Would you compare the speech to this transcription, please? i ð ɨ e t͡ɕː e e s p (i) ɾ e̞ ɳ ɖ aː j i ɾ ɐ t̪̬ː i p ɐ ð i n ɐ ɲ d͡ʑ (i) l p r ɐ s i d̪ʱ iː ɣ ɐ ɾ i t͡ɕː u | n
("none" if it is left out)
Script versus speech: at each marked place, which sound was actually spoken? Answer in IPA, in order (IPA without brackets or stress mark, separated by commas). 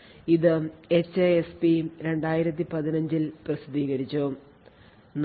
i, i